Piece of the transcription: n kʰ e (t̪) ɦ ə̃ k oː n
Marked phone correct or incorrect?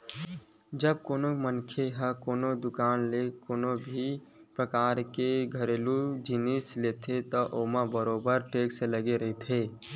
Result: incorrect